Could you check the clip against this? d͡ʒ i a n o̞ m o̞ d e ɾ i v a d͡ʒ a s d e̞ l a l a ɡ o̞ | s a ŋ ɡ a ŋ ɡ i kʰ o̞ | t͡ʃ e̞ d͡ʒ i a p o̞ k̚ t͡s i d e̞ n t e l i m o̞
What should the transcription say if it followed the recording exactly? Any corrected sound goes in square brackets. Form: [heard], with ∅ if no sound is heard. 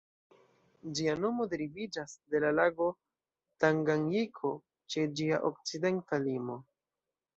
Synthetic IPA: d͡ʒ i a n o̞ m o̞ d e ɾ i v [i] d͡ʒ a s d e̞ l a l a ɡ o̞ | [t] a ŋ ɡ a ŋ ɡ i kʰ o̞ | t͡ʃ e̞ d͡ʒ i a [ʔ] o̞ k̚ t͡s i d e̞ n t [a] l i m o̞